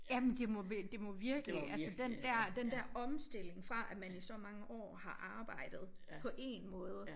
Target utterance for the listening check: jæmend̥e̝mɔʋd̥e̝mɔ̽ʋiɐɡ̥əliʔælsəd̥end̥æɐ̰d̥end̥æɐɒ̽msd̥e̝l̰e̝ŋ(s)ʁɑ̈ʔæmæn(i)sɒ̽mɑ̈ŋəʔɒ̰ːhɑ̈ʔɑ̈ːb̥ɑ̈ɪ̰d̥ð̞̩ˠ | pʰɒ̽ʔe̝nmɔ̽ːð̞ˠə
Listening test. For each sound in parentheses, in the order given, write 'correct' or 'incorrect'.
incorrect, correct

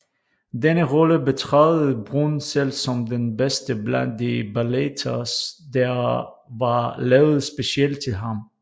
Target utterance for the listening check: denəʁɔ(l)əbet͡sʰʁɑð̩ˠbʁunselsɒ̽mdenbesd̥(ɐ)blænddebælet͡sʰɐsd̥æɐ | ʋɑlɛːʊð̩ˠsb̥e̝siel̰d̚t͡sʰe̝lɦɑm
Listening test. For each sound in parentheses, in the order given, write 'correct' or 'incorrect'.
correct, incorrect

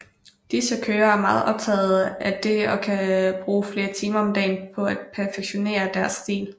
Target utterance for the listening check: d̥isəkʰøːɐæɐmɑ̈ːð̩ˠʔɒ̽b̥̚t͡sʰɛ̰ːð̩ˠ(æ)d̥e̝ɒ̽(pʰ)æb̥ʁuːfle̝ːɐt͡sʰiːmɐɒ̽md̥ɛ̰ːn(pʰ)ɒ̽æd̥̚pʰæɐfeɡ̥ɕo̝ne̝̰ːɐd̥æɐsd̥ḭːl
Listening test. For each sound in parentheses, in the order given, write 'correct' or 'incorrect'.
correct, incorrect, correct

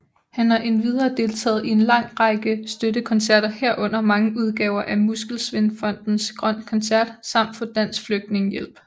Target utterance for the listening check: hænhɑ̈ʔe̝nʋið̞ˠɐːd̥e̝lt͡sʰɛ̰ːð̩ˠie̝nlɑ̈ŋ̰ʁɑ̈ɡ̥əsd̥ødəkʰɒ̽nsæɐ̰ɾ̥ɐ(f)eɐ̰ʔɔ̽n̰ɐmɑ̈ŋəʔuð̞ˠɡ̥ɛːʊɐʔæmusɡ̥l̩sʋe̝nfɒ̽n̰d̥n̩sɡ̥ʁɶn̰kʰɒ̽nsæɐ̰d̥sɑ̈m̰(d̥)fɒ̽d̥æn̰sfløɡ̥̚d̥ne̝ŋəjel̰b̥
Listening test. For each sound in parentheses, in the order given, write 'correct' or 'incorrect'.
incorrect, correct

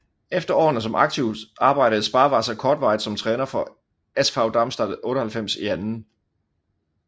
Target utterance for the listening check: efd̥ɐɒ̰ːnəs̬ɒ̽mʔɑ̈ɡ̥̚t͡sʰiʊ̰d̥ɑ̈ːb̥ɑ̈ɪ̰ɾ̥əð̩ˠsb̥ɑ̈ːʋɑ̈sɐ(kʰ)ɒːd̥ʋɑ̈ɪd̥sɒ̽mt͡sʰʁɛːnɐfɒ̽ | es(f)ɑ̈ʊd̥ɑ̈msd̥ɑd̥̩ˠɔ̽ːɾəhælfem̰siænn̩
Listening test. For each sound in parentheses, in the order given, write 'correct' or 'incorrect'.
correct, correct

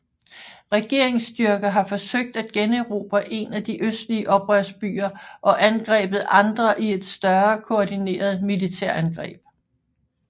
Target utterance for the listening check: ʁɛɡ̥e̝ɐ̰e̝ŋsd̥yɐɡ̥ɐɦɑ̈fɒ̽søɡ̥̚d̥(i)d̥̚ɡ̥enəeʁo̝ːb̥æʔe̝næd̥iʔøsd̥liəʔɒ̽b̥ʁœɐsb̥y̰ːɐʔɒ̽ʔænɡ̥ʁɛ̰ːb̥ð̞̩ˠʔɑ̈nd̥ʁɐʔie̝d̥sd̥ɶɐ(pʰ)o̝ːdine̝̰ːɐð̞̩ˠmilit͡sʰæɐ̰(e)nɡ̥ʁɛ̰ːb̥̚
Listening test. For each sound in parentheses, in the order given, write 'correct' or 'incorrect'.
incorrect, incorrect, incorrect

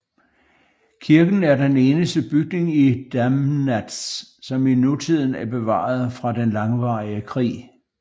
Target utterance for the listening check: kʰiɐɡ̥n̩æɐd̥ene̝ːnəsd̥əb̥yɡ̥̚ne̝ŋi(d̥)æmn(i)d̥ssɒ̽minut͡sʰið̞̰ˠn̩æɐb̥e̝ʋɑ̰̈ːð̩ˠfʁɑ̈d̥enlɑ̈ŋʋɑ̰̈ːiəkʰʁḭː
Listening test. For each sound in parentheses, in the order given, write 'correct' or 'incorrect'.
correct, incorrect

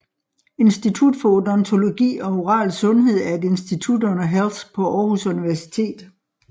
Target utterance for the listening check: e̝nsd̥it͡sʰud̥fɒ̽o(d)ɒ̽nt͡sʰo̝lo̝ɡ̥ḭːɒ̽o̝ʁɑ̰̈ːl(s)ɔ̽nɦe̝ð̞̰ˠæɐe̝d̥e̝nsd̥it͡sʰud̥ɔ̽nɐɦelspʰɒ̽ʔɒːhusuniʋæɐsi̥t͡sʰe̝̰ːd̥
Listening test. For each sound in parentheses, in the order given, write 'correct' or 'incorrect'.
correct, correct

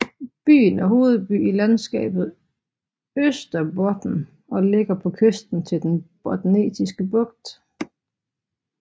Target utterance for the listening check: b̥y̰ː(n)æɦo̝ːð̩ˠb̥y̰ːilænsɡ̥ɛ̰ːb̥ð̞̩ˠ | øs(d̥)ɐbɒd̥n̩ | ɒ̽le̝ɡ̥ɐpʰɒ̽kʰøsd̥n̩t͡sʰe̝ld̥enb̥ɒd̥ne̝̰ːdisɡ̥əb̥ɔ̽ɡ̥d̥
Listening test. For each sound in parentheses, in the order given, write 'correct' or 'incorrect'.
correct, correct

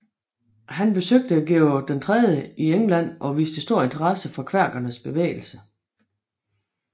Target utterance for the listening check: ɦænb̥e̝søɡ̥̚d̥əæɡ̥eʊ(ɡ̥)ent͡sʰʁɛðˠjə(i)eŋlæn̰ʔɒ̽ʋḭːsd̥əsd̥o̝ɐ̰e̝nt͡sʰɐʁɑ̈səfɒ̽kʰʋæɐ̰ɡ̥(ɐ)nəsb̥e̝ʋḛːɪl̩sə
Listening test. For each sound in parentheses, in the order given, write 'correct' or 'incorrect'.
incorrect, correct, correct

